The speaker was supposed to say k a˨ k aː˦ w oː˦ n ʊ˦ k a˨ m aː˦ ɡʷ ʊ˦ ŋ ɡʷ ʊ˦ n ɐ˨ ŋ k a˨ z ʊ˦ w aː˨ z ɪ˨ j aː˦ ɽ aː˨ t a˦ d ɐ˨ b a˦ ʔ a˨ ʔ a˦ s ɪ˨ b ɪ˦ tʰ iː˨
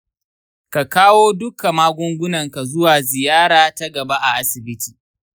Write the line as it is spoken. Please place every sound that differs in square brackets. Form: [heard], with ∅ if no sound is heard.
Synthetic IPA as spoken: k a˨ k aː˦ w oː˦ [d] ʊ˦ k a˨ m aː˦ ɡʷ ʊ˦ ŋ ɡʷ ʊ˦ n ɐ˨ ŋ k a˨ z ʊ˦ w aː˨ z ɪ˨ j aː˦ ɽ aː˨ t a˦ [ɡ] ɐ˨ b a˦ ʔ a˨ ʔ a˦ s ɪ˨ b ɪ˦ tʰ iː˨